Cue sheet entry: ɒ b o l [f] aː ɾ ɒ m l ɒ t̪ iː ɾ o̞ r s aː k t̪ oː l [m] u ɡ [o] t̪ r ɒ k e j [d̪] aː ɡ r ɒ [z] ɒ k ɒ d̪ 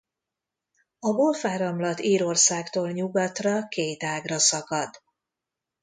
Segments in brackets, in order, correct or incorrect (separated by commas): correct, incorrect, incorrect, incorrect, incorrect